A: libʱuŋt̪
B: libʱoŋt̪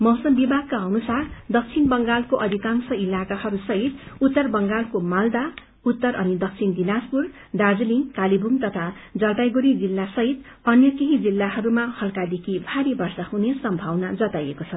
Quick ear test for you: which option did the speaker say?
A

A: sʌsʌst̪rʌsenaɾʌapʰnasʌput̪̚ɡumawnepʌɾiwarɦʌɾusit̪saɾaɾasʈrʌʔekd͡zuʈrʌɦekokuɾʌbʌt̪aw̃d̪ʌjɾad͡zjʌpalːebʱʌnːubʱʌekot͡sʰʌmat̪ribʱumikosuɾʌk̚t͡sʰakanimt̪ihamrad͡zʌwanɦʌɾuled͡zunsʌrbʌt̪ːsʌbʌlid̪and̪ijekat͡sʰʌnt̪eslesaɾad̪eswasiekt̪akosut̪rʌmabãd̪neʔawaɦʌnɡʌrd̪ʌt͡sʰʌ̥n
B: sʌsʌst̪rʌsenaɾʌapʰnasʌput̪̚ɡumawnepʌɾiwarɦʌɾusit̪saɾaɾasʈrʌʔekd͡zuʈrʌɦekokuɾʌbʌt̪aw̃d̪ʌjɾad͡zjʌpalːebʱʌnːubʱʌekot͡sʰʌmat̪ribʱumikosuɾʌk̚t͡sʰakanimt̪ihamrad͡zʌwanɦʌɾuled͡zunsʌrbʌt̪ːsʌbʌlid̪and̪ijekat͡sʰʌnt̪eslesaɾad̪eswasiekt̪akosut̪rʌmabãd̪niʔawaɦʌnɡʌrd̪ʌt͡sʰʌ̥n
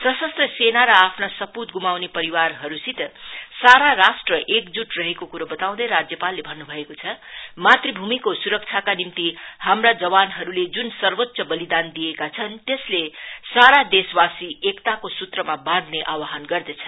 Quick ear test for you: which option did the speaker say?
A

